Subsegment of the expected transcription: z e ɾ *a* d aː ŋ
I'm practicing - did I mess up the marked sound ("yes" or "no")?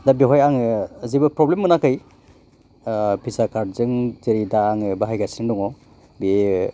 yes